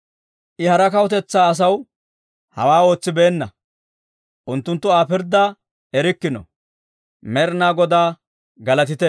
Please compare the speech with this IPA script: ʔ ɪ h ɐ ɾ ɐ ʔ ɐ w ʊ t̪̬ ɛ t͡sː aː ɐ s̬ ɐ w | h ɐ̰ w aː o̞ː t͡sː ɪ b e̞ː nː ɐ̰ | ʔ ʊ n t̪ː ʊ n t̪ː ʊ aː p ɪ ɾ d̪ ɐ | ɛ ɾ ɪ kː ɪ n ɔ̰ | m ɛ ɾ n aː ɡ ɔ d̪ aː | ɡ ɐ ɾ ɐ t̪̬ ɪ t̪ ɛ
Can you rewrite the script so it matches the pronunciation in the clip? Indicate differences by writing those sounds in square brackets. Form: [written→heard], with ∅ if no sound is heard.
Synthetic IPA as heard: ʔ ɪ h ɐ ɾ ɐ [ʔ→k] ɐ w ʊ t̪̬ ɛ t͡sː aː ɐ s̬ ɐ w | h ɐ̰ w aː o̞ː t͡sː ɪ b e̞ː nː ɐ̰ | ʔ ʊ n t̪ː ʊ n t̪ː ʊ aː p ɪ ɾ d̪ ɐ | ɛ ɾ ɪ kː ɪ n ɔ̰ | m ɛ ɾ n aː ɡ ɔ d̪ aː | ɡ ɐ [ɾ→l] ɐ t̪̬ ɪ t̪ ɛ